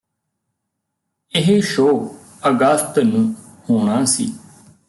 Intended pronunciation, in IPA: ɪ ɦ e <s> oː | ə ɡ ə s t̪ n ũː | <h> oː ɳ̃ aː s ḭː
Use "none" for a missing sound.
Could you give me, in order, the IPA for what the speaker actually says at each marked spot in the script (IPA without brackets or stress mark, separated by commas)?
ʃ, h